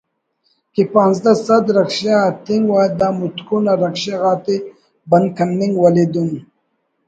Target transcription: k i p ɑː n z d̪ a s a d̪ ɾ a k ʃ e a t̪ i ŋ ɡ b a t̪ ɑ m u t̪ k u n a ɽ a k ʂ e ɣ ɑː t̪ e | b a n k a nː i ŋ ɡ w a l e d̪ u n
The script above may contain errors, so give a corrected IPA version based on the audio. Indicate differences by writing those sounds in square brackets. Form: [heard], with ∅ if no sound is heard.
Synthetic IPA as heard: k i p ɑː n z d̪ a s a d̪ ɾ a k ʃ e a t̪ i ŋ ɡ [w] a [d̪] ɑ m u t̪ k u n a [ɾ] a k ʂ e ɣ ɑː t̪ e | b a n k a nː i ŋ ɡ w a l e d̪ u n